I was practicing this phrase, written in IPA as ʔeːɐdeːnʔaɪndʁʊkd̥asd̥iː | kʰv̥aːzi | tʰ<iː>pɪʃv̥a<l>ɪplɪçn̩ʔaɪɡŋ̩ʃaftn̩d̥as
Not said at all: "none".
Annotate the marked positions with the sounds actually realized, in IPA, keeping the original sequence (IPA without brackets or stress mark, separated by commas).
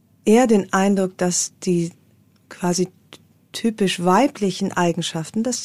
yː, none